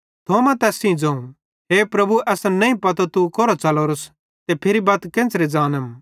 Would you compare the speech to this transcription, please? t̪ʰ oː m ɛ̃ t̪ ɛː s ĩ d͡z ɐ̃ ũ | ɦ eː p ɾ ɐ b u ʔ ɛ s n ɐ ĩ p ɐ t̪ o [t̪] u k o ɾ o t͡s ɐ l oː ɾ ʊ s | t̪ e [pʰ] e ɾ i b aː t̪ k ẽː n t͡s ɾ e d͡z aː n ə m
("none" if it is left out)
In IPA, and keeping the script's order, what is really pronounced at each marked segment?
t̪, pʰ

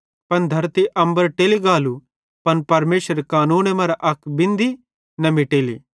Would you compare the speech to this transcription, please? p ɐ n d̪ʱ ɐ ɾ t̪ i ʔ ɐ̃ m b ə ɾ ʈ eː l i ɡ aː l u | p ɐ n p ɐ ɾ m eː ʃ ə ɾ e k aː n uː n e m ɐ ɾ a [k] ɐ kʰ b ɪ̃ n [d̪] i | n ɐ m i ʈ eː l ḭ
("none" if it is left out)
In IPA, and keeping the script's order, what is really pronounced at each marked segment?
ʔ, d̪

